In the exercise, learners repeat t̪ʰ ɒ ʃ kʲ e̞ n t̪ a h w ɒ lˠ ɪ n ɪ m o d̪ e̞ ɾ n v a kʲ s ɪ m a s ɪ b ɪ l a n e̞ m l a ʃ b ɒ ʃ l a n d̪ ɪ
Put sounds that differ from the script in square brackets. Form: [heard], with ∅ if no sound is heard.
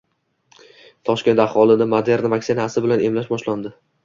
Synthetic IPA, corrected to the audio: t̪ʰ ɒ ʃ kʲ e̞ n t̪ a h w ɒ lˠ ɪ n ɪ m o d̪ e̞ ɾ n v a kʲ s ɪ [n] a s ɪ b ɪ l a n e̞ m l a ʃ b ɒ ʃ l a n d̪ ɪ